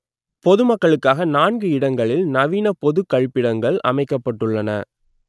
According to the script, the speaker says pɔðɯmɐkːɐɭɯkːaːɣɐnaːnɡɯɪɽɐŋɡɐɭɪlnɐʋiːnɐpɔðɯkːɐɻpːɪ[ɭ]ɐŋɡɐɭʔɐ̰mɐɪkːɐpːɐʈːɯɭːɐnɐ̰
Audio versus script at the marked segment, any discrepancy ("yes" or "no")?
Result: yes